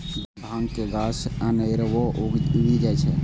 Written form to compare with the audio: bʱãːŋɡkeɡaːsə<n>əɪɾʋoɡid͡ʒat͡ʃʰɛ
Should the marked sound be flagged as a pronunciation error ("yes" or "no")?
no